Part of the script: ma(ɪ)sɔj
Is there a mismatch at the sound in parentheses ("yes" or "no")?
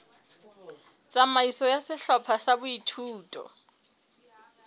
yes